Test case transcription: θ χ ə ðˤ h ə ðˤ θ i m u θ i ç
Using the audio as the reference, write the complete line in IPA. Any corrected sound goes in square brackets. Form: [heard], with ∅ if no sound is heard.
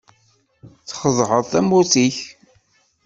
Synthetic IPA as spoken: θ χ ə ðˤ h ə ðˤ θ [æ] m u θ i ç